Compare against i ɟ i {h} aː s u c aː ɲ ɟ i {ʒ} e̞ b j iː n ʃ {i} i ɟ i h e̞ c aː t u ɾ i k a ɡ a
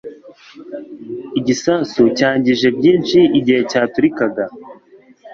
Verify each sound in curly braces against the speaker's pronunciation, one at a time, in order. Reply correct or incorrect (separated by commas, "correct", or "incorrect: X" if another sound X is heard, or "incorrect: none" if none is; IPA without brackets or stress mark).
incorrect: s, correct, correct